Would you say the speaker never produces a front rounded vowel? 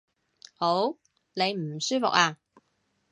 no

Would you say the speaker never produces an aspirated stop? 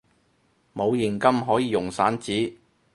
yes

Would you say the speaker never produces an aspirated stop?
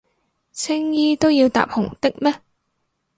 no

